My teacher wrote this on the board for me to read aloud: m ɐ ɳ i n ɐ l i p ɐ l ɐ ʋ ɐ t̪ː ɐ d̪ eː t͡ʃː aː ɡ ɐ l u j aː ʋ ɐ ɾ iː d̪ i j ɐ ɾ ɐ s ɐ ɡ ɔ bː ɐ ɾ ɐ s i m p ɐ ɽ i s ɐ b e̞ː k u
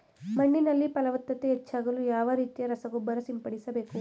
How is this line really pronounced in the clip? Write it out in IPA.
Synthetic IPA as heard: m ɐ ɳː i n ɐ lː i p ɐ l ɐ ʋ ɐ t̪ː ɐ t̪ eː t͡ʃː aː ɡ ɐ l u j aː ʋ ɐ ɾ iː t̪ i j ɐ ɾ ɐ s ɐ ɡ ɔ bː ɐ ɾ ɐ s i m p ɐ ɽ i s ɐ b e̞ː k u